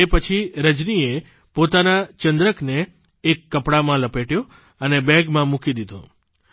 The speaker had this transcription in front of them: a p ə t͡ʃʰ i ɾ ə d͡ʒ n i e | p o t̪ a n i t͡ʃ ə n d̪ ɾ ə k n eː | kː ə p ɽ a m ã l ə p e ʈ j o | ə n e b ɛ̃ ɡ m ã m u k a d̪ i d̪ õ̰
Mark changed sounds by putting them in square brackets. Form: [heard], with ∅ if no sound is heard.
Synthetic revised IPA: [e] p ə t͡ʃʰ i ɾ ə d͡ʒ n i e | p o t̪ a n [a] t͡ʃ ə n d̪ ɾ ə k n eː | kː ə p ɽ a m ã l ə p e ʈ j o | ə n e b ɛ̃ ɡ m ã m u k [i] d̪ i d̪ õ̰

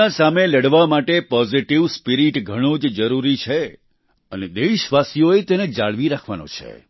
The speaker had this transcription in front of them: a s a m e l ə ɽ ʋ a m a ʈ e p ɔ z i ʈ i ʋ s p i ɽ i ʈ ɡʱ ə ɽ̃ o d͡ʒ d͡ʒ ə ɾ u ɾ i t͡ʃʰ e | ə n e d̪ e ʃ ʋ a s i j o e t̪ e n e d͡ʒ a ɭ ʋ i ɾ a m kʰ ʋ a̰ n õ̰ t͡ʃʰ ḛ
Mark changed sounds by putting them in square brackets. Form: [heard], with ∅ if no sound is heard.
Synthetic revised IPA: a s a m e l ə ɽ ʋ a m a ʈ e p ɔ z i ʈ i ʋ s p i [ɾ] i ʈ ɡʱ ə ɽ̃ o d͡ʒ d͡ʒ ə ɾ u ɾ i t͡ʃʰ e | ə n e d̪ e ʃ ʋ a s i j o e t̪ e n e d͡ʒ a ɭ ʋ i ɾ a [∅] kʰ ʋ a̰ n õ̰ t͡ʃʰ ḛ

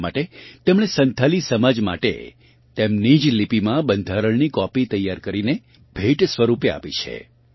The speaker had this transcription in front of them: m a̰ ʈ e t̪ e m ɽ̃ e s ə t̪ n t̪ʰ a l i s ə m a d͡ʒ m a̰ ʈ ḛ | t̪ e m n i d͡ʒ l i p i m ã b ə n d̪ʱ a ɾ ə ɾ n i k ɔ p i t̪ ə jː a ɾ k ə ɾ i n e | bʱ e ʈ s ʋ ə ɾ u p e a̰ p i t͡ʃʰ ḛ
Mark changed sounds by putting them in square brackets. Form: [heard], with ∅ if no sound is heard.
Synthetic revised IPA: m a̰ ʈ e t̪ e m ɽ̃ e s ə [∅] n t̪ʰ a l i s ə m a d͡ʒ m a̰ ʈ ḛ | t̪ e m n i d͡ʒ l i p i m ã b ə n d̪ʱ a ɾ ə [ɭ] n i k ɔ p i t̪ ə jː a ɾ k ə ɾ i n e | bʱ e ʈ s ʋ ə ɾ u p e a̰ p i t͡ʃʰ ḛ

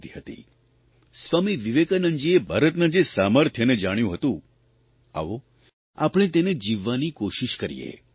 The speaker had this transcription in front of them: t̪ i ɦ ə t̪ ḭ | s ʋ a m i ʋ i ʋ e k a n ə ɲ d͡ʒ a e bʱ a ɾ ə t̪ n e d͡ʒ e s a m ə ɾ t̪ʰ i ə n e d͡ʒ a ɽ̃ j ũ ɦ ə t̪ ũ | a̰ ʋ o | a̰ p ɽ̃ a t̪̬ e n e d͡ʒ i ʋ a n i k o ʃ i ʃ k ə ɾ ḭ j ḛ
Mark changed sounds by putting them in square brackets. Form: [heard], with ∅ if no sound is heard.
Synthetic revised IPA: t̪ i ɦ ə t̪ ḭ | s ʋ a m i ʋ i ʋ e k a n ə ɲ d͡ʒ [i] e bʱ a ɾ ə t̪ n [a] d͡ʒ e s a m ə ɾ t̪ʰ [j] ə n e d͡ʒ a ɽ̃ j ũ ɦ ə t̪ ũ | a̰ ʋ o | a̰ p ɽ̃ [e] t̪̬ e n e d͡ʒ i [ʋː] a n i k o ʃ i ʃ k ə ɾ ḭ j ḛ

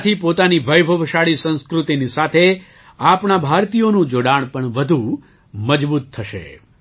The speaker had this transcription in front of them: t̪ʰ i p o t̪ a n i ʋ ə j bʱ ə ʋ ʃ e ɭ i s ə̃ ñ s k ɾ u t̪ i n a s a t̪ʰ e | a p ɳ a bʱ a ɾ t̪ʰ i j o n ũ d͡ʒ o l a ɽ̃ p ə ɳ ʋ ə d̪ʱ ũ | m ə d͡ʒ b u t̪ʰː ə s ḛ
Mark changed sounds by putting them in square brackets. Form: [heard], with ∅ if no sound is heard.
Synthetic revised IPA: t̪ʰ i p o t̪ a n i ʋ ə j bʱ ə ʋ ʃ [a] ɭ i s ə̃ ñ s k ɾ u t̪ i n [i] s a t̪ʰ e | a p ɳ a bʱ a ɾ [t̪] i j o n ũ d͡ʒ o [ɽ] a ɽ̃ p ə ɳ ʋ ə d̪ʱ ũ | m ə d͡ʒ b u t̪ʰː ə [ʃ] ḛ

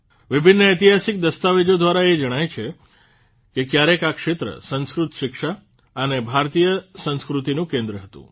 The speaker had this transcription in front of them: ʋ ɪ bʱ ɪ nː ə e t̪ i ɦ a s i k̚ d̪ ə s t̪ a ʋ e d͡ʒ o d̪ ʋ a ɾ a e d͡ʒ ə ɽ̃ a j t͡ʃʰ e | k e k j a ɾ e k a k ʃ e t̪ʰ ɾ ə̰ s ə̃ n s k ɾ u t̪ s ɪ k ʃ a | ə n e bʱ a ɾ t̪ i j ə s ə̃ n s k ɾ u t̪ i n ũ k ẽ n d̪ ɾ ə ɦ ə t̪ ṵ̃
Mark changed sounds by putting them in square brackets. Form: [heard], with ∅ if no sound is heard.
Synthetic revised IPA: ʋ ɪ bʱ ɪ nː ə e t̪ i ɦ a s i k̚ d̪ ə s t̪ a ʋ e d͡ʒ o d̪ ʋ a ɾ a e d͡ʒ ə ɽ̃ a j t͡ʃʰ e | k e k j a ɾ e k a k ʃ e [t̪] ɾ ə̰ s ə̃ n s k ɾ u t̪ [ʃ] ɪ k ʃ a | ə n e bʱ a ɾ t̪ i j ə s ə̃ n s k ɾ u t̪ i n ũ k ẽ n d̪ ɾ ə ɦ ə t̪ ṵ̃

